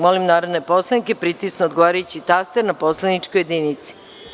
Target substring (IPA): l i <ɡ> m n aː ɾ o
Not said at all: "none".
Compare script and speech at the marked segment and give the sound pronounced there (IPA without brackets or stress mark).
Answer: none